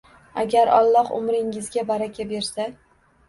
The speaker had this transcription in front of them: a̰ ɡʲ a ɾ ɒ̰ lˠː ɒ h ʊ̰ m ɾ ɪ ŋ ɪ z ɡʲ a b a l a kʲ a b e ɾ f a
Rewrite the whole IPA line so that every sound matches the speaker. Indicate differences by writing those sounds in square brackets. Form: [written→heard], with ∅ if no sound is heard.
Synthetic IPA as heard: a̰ ɡʲ a ɾ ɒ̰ lˠː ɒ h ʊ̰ m ɾ ɪ ŋ ɪ z ɡʲ a b a [l→ɾ] a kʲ a b e ɾ [f→s] a